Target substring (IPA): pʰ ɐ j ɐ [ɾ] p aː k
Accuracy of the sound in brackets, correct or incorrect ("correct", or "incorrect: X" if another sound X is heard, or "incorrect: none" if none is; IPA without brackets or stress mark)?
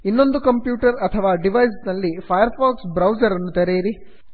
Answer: correct